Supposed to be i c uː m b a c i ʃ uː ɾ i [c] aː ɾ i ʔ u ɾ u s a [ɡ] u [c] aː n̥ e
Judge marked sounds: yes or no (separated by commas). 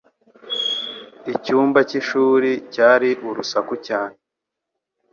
yes, no, yes